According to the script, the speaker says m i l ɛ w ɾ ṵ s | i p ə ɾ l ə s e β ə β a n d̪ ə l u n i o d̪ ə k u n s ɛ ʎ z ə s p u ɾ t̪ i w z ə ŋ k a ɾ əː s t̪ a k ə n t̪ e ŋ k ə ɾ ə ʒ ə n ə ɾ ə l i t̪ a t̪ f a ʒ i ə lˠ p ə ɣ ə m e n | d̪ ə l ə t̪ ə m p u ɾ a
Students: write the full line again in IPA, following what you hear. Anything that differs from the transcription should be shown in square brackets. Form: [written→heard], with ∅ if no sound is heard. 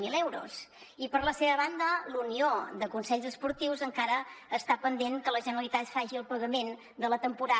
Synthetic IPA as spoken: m i l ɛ w ɾ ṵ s | i p ə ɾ l ə s e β ə β a n d̪ ə l u n i o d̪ ə k u n s ɛ ʎ z ə s p u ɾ t̪ i w z ə ŋ k a ɾ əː s t̪ a [k→p] ə n [t̪→d̪] e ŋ k ə [ɾ→l] ə ʒ ə n ə ɾ ə l i t̪ a t̪ f a ʒ i ə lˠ p ə ɣ ə m e n | d̪ ə l ə t̪ ə m p u ɾ a